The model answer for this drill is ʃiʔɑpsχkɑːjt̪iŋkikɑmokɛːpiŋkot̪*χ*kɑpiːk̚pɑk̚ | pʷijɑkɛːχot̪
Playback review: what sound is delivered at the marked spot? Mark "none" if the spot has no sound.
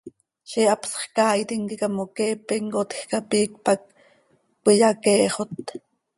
x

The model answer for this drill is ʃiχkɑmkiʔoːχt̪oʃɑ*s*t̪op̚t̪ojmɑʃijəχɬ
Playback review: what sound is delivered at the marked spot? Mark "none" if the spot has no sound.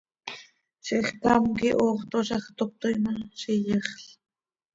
χ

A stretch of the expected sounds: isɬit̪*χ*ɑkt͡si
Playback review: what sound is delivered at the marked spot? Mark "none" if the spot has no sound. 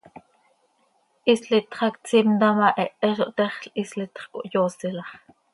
χ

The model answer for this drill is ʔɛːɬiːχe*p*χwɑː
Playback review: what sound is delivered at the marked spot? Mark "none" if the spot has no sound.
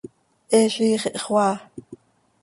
ʔ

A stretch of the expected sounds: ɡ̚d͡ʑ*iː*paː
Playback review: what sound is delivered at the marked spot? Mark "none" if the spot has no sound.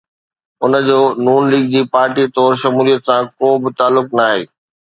iː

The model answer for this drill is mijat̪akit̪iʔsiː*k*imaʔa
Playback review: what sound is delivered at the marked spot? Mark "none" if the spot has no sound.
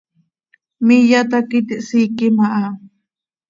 k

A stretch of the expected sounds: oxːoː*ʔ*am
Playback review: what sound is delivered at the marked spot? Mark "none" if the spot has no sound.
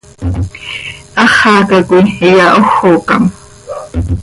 k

